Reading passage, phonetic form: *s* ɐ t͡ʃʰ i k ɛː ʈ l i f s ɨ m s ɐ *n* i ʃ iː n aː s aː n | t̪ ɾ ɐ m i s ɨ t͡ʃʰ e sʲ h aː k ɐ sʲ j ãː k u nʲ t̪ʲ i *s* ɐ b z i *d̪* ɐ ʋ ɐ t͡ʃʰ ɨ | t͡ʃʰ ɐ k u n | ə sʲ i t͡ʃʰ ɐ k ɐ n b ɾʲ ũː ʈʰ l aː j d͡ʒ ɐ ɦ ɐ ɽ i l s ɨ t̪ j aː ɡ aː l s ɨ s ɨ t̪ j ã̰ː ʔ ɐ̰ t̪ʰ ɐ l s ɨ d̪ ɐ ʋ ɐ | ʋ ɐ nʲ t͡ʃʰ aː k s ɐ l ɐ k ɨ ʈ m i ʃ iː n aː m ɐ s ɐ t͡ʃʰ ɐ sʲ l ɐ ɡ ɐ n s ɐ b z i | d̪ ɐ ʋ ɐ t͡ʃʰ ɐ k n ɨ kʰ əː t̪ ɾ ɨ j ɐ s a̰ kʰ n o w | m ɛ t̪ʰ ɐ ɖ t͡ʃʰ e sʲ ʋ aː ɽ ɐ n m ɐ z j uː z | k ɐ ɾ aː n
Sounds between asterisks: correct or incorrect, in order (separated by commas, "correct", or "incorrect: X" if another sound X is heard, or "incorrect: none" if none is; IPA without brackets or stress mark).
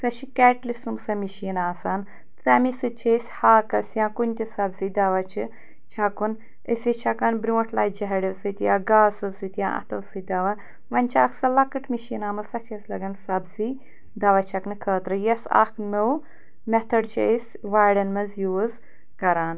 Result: correct, incorrect: m, correct, correct